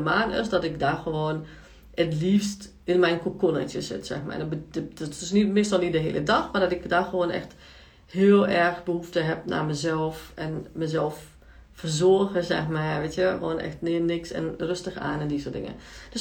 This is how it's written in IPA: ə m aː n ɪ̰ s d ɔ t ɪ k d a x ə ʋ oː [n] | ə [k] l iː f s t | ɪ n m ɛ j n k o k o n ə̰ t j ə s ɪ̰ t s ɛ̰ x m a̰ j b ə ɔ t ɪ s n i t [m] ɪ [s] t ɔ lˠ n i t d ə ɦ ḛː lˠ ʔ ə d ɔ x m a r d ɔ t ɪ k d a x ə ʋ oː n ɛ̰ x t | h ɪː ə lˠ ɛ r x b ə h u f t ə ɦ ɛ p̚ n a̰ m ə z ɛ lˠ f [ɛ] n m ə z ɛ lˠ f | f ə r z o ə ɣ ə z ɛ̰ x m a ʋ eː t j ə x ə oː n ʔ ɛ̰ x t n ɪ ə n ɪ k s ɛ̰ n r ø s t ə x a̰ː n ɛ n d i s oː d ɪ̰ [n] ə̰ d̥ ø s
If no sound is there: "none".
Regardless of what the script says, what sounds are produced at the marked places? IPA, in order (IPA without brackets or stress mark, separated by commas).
n, t, m, s, ɛ, ŋ